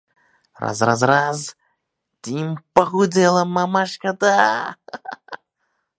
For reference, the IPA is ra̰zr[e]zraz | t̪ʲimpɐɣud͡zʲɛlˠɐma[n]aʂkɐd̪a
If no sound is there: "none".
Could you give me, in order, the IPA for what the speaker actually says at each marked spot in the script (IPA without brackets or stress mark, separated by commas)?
a, m